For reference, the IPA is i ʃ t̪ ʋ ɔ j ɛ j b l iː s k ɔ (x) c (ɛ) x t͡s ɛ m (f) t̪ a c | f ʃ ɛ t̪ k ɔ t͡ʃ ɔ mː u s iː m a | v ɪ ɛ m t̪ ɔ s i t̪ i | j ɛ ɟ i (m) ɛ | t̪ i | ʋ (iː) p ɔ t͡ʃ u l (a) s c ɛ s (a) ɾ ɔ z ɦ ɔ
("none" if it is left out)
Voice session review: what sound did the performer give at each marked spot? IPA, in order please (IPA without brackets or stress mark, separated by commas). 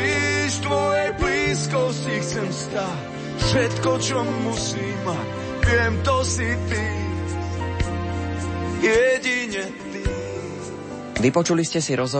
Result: s, i, s, ɲ, i, i, i